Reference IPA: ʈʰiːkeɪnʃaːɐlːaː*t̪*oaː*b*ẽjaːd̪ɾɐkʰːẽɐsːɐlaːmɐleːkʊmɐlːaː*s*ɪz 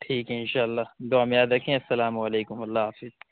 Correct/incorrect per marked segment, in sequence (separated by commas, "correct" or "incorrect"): incorrect, incorrect, incorrect